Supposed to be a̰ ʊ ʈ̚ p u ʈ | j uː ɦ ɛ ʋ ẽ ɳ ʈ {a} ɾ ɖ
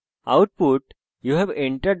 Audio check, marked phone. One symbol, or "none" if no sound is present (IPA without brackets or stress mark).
ə